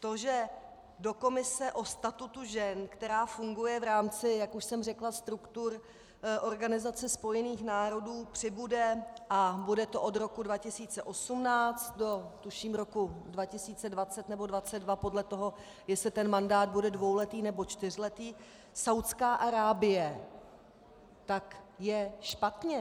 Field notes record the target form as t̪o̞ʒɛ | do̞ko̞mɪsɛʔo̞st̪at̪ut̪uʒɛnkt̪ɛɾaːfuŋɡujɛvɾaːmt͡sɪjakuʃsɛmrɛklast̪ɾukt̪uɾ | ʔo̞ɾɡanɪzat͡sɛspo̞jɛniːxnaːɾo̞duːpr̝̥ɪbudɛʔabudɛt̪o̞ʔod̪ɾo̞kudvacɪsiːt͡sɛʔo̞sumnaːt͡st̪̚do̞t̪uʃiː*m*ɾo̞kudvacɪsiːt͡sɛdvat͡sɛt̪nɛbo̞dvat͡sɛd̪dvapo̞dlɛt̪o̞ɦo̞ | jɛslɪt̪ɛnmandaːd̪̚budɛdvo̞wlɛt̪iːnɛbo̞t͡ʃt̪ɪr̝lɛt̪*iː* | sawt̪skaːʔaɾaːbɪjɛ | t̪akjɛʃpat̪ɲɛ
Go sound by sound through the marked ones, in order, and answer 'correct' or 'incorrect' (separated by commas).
correct, correct